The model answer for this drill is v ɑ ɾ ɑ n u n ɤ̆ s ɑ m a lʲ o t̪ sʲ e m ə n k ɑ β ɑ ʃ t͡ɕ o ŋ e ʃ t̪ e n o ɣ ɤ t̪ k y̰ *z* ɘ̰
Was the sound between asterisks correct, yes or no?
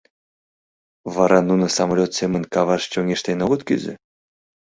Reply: yes